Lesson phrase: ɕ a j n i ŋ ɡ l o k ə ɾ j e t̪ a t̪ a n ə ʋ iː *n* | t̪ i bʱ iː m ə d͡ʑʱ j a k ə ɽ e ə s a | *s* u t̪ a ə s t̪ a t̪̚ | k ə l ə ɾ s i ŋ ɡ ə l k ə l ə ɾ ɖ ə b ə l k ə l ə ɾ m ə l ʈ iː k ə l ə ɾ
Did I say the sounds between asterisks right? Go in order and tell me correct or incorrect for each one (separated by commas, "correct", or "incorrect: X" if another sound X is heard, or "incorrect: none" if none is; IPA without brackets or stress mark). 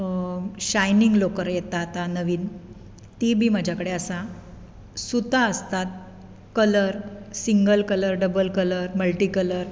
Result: correct, correct